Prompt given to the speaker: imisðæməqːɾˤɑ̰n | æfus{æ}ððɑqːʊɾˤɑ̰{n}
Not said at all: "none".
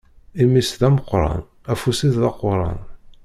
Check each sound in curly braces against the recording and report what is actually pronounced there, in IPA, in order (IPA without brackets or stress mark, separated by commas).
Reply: i, n